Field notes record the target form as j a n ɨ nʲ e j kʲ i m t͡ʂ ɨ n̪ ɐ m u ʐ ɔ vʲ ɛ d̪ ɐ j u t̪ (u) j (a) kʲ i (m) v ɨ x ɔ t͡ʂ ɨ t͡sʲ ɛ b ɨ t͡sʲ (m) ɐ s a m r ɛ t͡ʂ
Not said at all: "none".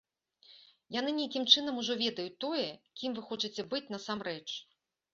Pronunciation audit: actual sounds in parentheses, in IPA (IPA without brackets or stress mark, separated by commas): ɔ, ɛ, m, n